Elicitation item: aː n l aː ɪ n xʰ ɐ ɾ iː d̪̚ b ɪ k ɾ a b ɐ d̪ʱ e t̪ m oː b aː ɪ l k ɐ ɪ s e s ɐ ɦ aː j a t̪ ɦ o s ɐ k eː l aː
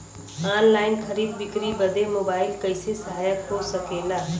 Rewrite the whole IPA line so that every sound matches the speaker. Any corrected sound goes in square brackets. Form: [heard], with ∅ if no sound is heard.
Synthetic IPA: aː n l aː ɪ n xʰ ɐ ɾ iː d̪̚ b ɪ k ɾ [i] b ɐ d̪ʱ e [∅] m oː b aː ɪ l k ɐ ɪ s e s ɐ ɦ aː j [ə] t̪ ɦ o s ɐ k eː l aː